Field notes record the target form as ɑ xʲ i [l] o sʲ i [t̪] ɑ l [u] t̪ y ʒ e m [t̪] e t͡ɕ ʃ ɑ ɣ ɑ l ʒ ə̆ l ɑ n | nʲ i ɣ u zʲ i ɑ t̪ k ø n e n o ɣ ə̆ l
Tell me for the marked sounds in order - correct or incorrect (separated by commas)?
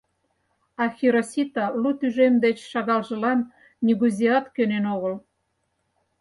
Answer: incorrect, correct, correct, incorrect